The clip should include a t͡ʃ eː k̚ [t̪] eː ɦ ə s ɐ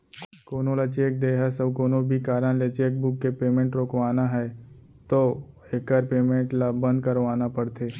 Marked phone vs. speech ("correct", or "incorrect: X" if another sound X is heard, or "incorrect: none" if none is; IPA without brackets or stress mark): incorrect: d̪